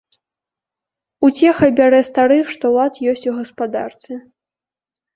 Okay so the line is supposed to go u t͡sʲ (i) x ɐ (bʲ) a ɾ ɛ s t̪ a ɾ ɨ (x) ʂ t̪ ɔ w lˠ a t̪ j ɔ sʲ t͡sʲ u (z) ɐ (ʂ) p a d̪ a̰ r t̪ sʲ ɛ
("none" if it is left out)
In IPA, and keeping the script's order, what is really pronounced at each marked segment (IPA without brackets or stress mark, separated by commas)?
ɛ, bʲ, x, ɣ, s